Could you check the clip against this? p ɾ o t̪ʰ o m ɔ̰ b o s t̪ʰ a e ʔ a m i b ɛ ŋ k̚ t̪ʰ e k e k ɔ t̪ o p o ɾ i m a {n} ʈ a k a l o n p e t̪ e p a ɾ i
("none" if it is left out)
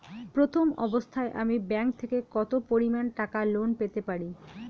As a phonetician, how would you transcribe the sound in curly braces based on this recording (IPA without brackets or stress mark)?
n